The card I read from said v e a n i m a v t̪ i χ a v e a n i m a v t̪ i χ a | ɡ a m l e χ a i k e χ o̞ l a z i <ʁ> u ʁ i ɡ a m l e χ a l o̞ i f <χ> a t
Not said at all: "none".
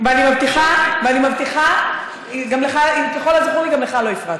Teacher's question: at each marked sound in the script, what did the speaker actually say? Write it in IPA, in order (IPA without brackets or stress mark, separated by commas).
χ, ʁ